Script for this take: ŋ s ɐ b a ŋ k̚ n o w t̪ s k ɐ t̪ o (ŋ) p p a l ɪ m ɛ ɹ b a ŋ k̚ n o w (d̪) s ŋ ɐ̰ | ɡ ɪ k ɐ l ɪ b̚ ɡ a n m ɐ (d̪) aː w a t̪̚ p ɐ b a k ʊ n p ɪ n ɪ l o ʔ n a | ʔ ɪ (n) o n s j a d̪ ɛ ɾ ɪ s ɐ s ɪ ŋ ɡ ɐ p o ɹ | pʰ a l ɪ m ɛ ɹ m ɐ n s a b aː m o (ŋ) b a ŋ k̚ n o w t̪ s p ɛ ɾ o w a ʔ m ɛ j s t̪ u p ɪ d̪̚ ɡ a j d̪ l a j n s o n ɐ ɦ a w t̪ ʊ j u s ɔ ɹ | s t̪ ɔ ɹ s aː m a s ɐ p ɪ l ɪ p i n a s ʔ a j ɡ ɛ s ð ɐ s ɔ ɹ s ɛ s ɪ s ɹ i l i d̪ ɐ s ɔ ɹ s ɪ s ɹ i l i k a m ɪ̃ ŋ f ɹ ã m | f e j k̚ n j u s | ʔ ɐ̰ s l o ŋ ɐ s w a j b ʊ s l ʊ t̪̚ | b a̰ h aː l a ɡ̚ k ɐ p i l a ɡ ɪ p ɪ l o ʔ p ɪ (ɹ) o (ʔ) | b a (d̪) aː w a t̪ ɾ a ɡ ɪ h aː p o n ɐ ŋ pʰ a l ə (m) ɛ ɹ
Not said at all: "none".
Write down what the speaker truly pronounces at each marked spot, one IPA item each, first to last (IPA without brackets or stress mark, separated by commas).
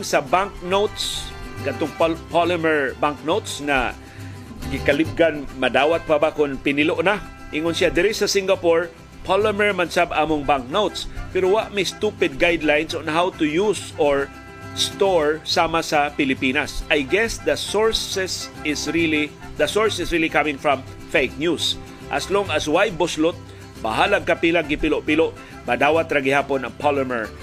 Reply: ŋ, t̪, d̪, ŋ, ŋ, l, ʔ, d̪, m